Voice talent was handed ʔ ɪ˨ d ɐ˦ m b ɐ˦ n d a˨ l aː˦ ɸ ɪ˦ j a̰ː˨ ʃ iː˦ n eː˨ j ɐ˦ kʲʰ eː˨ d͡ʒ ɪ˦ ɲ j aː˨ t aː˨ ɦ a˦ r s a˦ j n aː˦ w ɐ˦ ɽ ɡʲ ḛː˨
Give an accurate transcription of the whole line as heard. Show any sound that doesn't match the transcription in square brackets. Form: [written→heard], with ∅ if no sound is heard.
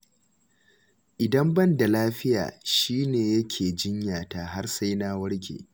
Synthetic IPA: ʔ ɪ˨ d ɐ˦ m b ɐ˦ n d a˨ l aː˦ ɸ ɪ˦ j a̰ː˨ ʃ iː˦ n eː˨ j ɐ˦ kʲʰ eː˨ d͡ʒ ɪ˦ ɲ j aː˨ t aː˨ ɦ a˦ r s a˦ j n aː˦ w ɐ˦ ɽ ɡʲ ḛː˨